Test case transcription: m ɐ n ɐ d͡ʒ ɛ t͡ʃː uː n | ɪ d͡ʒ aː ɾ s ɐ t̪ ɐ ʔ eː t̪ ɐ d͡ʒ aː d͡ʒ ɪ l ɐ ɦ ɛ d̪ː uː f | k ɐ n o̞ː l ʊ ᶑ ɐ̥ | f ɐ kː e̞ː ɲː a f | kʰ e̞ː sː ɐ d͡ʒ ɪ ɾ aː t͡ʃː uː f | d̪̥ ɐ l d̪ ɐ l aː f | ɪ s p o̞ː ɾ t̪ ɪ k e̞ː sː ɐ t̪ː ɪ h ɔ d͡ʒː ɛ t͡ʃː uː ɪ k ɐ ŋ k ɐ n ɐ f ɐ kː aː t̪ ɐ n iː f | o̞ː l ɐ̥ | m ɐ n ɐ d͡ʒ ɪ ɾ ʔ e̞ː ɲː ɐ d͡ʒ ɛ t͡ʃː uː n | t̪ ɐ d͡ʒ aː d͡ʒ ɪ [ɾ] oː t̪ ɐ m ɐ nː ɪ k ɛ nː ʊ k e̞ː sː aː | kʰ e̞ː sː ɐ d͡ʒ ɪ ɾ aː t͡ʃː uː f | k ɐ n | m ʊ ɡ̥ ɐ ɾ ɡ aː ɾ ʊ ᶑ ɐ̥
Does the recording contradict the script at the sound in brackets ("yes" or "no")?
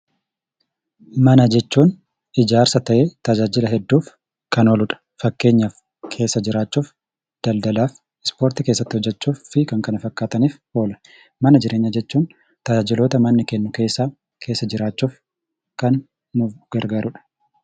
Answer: yes